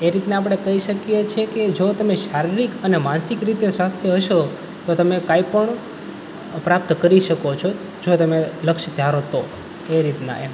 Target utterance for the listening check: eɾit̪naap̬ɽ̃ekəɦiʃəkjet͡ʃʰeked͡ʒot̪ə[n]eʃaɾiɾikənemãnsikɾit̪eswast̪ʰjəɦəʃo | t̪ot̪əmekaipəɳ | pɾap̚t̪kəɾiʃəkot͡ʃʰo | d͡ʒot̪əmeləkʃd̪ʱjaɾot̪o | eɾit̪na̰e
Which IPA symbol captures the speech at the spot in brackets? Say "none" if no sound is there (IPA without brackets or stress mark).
m